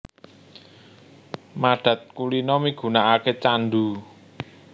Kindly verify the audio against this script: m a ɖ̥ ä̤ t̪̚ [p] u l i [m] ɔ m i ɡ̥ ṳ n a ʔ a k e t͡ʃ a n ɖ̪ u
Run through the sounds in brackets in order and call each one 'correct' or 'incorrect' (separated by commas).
incorrect, incorrect